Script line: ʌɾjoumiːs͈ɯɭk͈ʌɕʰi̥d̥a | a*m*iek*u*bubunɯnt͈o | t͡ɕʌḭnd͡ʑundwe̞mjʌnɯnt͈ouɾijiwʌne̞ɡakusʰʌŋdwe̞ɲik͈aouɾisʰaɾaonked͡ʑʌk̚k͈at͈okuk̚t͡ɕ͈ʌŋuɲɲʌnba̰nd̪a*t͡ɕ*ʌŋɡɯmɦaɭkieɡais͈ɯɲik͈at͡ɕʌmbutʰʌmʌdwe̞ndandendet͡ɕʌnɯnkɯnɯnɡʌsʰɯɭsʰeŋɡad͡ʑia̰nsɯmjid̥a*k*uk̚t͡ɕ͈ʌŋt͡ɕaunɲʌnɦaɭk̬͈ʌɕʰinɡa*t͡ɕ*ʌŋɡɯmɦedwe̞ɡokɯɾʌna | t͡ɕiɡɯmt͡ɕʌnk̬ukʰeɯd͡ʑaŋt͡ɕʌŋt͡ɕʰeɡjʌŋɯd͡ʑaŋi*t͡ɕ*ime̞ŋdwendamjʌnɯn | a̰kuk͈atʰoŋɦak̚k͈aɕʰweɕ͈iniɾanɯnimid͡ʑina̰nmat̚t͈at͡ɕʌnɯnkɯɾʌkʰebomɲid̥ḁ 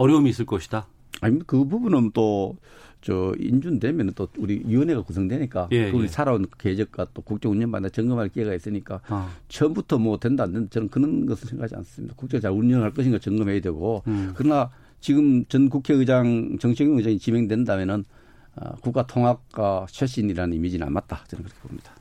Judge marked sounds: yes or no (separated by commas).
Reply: no, no, yes, yes, yes, yes